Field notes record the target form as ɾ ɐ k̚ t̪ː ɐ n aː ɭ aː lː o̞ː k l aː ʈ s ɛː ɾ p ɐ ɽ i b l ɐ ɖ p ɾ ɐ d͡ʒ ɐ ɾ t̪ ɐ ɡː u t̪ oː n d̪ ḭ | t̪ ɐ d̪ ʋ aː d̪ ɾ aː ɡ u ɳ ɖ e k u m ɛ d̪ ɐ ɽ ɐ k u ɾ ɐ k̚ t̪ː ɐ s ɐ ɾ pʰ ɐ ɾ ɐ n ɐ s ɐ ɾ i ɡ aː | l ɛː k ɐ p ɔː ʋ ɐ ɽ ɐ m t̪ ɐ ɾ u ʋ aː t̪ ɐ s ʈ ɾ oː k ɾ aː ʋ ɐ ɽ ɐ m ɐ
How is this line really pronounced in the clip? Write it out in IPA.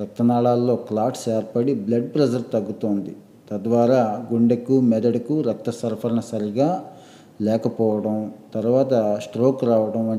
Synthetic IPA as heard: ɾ ɐ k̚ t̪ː ɐ n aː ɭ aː lː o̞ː k l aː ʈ s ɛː ɾ p ɐ ɽ i b l ɐ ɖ p ɾ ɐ d͡ʒ ɐ ɾ t̪ ɐ ɡː u t̪ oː n d̪ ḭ | t̪ ɐ d̪ ʋ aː ɾ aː ɡ u ɳ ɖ e k u m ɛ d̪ ɐ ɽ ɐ k u ɾ ɐ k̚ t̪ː ɐ s ɐ ɾ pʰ ɐ ɾ ɐ n ɐ s ɐ ɾ i ɡ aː | l ɛː k ɐ p ɔː ʋ ɐ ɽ ɐ m t̪ ɐ ɾ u ʋ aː t̪ ɐ s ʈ ɾ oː k ɾ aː ʋ ɐ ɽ ɐ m ɐ